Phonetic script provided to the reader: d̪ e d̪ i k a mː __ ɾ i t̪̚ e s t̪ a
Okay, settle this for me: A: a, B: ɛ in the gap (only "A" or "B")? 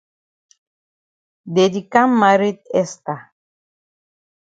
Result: A